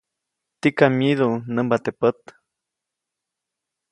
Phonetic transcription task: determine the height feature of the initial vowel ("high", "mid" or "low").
high